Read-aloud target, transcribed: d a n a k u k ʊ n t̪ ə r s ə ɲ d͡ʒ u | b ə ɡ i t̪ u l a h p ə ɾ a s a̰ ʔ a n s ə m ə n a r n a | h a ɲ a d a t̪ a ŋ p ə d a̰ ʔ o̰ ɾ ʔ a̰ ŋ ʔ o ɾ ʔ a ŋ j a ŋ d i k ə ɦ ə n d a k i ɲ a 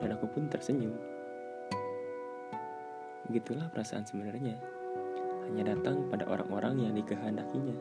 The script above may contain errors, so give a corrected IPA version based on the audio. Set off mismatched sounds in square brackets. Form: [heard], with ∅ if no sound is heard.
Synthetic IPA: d a n a k u [p] ʊ n t̪ ə r s ə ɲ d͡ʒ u | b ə ɡ i t̪ u l a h p ə ɾ a s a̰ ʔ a n s ə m ə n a r [ɲ] a | h a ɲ a d a t̪ a ŋ p [a] d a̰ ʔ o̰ ɾ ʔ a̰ ŋ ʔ o ɾ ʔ a ŋ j a ŋ d i k ə ɦ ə n d a k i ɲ a